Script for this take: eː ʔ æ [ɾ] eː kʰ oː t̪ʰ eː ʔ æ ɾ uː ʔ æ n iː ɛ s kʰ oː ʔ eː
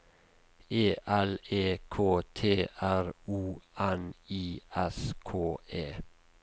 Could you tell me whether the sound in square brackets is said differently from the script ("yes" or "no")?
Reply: yes